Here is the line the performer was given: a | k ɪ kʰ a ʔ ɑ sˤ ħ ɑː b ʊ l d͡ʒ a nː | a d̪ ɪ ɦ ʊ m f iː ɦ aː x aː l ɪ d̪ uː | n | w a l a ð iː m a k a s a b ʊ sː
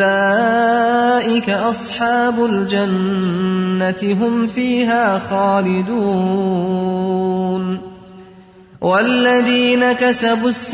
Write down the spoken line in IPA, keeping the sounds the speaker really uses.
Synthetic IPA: a | ʔ ɪ k a ʔ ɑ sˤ ħ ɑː b ʊ l d͡ʒ a nː | a t̪ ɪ ɦ ʊ m f iː ɦ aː x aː l ɪ d̪ uː | n | w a lː a ð iː n a k a s a b ʊ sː